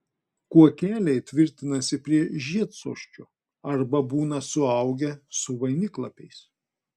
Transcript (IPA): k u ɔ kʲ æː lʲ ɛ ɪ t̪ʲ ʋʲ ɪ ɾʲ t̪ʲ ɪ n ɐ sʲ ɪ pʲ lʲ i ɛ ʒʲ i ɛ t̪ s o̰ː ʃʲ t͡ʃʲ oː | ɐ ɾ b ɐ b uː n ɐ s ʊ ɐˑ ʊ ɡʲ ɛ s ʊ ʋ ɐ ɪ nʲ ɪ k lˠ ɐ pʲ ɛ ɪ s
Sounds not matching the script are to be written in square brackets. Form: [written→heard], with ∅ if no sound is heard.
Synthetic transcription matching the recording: k u ɔ kʲ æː lʲ ɛ ɪ t̪ʲ ʋʲ ɪ ɾʲ t̪ʲ ɪ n ɐ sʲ ɪ pʲ [lʲ→ɾʲ] i ɛ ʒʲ i ɛ t̪ s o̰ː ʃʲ t͡ʃʲ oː | ɐ ɾ b ɐ b uː n ɐ s ʊ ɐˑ ʊ ɡʲ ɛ s ʊ ʋ ɐ ɪ nʲ ɪ k lˠ ɐ pʲ ɛ ɪ s